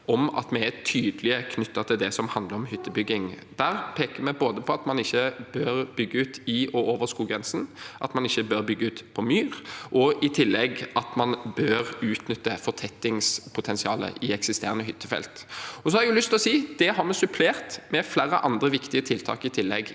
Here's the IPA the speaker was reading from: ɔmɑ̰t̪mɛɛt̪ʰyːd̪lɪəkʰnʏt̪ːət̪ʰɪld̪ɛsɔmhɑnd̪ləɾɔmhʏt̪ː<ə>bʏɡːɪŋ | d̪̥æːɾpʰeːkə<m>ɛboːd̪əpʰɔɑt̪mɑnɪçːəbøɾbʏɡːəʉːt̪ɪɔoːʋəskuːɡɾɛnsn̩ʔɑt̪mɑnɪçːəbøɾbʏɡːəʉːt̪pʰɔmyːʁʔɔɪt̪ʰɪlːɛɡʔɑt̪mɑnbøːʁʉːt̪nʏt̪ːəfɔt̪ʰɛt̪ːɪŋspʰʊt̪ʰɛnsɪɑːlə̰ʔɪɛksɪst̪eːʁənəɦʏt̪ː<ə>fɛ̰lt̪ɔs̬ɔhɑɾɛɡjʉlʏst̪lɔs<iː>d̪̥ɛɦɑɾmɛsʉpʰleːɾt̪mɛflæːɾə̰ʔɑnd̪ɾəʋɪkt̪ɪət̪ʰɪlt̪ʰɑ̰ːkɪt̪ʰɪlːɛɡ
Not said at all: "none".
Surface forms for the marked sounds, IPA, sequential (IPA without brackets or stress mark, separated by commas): ə, m, ə, iː